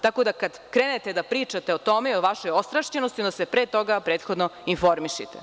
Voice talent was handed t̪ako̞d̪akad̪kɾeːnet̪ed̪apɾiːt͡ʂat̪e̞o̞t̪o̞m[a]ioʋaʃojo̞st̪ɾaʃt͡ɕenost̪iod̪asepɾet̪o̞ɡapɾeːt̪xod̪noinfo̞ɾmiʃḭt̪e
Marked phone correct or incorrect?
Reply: incorrect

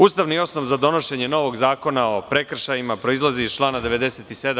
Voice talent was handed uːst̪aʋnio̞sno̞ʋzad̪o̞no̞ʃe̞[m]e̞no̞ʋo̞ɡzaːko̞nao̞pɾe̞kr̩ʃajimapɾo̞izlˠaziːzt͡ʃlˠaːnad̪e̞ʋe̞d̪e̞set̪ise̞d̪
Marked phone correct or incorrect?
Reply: incorrect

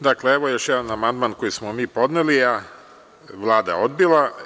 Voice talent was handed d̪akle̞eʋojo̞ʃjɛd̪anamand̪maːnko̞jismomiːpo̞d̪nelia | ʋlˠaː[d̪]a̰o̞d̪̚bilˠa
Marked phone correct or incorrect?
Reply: correct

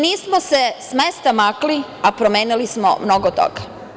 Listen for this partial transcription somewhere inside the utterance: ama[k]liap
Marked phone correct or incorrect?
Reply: correct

